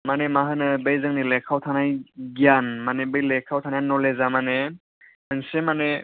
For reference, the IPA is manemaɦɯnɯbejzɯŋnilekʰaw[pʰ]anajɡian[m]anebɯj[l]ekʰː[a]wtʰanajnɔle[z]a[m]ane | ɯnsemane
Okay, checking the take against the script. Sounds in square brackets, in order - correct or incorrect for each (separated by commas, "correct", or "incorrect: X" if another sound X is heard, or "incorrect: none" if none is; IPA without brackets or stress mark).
incorrect: tʰ, correct, correct, correct, correct, correct